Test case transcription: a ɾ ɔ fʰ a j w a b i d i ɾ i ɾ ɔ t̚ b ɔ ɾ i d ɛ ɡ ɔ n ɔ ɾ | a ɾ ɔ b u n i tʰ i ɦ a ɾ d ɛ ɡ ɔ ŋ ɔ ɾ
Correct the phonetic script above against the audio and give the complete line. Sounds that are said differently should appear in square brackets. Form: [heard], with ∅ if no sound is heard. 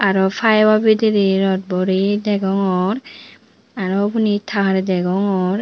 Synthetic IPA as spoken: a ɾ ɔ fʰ a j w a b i d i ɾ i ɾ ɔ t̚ b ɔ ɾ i d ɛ ɡ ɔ [ŋ] ɔ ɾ | a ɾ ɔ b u n i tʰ [a] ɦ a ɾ d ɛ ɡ ɔ ŋ ɔ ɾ